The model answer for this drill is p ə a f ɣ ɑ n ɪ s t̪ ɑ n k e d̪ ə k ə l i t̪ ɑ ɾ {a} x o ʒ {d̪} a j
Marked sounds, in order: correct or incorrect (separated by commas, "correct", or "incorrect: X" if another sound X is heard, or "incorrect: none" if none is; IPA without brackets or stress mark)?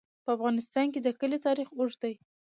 incorrect: i, correct